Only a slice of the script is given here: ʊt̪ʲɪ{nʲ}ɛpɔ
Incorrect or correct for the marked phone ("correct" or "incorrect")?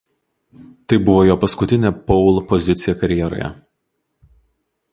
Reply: correct